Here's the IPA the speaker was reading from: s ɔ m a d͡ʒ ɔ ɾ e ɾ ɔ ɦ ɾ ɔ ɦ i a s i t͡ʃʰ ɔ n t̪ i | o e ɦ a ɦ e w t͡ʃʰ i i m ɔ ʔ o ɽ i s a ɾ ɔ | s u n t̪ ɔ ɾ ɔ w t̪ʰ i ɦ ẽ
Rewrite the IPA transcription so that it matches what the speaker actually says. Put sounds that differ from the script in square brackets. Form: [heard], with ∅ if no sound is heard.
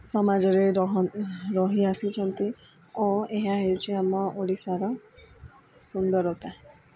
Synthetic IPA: s ɔ m a d͡ʒ ɔ ɾ e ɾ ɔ ɦ ɾ ɔ ɦ i a s i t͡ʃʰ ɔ n t̪ i | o e ɦ a ɦ e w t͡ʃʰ i [a] m ɔ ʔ o ɽ i s a ɾ ɔ | s u n [d̪] ɔ ɾ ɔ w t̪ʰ [a] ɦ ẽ